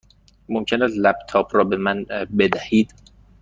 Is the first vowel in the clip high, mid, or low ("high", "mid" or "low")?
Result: mid